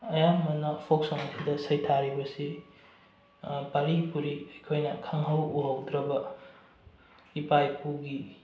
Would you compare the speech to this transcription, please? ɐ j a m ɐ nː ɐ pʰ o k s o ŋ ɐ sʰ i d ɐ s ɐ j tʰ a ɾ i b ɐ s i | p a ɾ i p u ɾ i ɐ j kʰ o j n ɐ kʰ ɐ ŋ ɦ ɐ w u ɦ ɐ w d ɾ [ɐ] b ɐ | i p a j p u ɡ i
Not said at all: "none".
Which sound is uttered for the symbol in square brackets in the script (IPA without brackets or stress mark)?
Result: ɐ